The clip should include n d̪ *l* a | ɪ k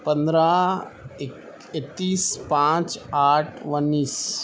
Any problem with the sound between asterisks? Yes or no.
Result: yes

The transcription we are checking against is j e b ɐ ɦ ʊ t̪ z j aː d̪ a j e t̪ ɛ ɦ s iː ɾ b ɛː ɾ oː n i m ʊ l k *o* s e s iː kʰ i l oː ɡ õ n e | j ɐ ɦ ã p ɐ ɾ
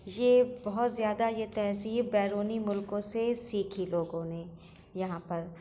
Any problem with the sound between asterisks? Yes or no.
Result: yes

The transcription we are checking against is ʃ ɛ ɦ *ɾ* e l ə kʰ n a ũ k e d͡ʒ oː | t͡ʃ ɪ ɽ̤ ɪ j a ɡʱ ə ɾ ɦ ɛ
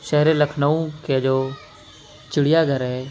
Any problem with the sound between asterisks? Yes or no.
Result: no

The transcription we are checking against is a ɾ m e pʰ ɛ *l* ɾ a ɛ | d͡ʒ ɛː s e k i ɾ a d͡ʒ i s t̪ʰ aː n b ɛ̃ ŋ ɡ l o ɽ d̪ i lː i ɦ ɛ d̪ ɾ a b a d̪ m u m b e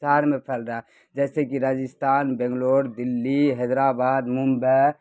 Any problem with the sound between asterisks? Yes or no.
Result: no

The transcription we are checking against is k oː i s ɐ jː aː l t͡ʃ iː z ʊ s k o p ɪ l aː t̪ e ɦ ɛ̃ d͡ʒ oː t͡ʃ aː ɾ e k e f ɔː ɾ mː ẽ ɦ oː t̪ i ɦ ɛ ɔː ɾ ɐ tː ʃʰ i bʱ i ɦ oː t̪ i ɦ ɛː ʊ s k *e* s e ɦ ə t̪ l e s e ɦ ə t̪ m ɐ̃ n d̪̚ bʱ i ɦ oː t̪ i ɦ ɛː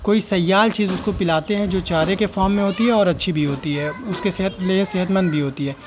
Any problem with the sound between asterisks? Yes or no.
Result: no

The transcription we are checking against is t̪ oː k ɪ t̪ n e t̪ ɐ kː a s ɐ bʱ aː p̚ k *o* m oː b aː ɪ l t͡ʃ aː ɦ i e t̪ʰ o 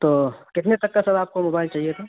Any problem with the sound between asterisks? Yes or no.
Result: no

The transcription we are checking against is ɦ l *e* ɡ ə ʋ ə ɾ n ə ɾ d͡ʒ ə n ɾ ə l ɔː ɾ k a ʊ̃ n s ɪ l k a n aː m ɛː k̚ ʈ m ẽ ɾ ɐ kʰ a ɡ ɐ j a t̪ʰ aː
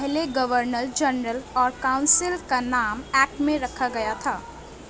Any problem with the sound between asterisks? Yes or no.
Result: no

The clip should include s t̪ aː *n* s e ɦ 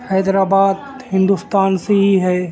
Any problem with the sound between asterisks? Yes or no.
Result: no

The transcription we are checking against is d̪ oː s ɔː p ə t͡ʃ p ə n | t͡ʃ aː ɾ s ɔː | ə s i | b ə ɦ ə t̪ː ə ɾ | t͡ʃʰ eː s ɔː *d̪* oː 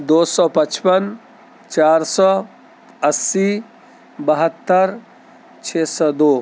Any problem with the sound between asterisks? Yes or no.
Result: no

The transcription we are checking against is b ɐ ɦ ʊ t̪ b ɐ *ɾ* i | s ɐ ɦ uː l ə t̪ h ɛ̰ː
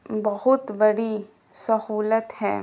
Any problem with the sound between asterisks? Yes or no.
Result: yes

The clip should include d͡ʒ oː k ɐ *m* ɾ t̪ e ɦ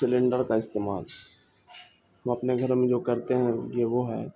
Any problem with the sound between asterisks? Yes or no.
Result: yes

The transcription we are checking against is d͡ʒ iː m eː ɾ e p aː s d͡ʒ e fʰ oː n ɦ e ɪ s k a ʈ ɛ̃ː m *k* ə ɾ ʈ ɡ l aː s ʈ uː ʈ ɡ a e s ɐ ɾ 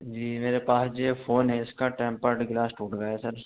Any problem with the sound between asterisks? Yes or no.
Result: yes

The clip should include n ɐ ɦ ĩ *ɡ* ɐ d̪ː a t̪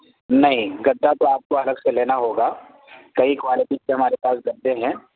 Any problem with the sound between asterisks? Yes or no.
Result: no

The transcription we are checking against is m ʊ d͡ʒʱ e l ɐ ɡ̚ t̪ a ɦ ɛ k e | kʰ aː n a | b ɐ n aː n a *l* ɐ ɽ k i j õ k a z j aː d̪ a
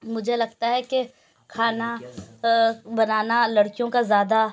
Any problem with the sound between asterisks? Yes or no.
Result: no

